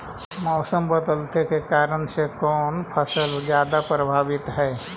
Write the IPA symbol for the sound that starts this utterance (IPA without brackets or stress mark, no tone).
m